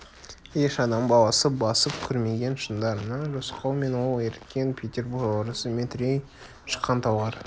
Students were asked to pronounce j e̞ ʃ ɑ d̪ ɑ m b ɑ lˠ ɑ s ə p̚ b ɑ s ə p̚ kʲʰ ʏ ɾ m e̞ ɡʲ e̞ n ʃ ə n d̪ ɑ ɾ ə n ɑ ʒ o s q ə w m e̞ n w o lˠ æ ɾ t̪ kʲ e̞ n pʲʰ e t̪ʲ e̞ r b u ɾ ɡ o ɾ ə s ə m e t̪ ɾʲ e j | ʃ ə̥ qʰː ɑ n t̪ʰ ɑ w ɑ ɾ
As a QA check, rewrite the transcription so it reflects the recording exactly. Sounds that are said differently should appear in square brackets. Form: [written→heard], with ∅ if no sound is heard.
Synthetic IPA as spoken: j e̞ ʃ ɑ d̪ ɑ m b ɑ lˠ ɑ s ə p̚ b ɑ s ə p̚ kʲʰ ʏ ɾ m e̞ ɡʲ e̞ n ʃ ə n d̪ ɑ ɾ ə n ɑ ʒ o s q [ə→ɑ] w m e̞ n w o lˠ [æ→e] ɾ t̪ kʲ e̞ n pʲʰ e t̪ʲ e̞ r b u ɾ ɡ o ɾ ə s ə m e t̪ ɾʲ e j | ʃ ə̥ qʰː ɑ n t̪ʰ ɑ w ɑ ɾ